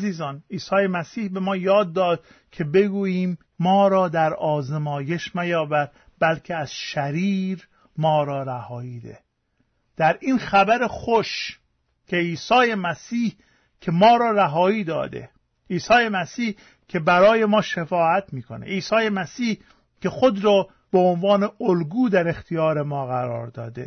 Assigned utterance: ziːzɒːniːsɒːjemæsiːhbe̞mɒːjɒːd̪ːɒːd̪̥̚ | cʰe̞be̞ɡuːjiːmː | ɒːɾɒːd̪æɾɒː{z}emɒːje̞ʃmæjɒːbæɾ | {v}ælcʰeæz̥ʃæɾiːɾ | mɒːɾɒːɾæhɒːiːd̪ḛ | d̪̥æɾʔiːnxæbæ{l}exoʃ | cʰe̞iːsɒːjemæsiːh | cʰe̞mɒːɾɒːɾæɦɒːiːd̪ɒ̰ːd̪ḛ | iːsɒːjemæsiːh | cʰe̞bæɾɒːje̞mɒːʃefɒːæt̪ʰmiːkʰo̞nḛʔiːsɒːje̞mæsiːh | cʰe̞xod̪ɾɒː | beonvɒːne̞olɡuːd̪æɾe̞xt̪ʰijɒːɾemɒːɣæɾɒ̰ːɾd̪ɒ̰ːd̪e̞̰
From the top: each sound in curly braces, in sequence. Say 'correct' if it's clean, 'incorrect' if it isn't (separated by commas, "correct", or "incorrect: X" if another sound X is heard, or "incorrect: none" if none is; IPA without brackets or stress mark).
correct, incorrect: b, incorrect: ɾ